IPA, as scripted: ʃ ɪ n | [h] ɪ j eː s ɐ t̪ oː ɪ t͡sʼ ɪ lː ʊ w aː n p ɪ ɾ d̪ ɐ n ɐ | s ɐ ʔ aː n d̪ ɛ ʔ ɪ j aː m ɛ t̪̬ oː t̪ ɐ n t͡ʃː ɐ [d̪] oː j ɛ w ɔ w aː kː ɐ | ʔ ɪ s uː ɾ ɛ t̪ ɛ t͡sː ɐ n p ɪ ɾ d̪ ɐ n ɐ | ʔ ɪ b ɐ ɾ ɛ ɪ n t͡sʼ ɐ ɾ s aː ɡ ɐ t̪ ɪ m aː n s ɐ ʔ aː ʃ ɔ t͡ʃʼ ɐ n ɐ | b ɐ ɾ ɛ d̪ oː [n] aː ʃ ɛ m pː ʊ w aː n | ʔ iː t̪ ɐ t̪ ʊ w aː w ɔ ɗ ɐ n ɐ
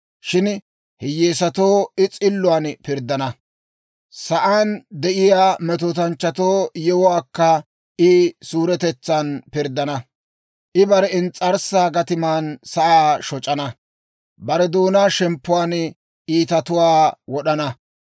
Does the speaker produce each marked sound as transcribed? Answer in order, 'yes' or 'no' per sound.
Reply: yes, no, yes

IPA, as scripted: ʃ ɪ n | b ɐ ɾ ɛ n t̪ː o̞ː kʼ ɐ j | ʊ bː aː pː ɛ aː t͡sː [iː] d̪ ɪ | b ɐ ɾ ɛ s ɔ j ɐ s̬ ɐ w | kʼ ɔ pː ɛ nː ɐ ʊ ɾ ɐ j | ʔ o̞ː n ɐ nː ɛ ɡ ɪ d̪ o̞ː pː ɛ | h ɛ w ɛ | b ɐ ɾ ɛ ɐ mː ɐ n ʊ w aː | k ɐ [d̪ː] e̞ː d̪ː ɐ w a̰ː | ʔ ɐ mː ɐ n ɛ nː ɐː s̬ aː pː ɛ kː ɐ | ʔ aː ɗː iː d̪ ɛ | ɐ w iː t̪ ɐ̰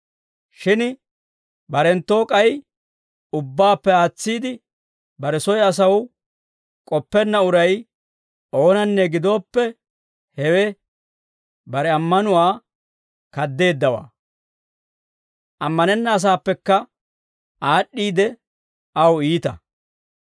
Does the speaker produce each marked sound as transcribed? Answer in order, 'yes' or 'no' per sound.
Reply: yes, yes

